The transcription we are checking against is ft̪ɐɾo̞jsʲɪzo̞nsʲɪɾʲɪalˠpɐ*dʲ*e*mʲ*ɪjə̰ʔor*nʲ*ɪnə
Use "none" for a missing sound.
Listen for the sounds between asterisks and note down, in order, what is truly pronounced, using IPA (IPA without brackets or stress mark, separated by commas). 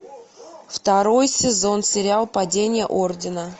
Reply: dʲ, nʲ, dʲ